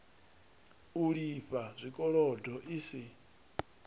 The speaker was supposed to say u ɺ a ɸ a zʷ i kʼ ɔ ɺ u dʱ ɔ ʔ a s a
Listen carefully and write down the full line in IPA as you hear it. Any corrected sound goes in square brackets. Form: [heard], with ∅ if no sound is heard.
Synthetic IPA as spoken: u ɺ [i] ɸ a zʷ i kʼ ɔ ɺ [ɔ] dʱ ɔ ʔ [i] s [i]